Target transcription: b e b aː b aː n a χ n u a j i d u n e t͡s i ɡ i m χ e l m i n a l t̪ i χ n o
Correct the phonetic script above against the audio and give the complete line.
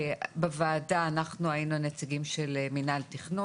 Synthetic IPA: b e v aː d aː n a χ n u a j i n u n e t͡s i ɡ i m ʃ e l m i n a l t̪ i χ n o